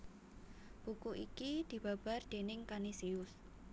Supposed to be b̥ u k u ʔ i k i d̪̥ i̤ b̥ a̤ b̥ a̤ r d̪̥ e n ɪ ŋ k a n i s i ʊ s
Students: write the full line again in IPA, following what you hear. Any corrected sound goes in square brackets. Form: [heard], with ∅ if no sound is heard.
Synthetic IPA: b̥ u k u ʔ i k i d̪̥ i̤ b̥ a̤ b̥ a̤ r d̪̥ e n ɪ ŋ k a n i s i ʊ s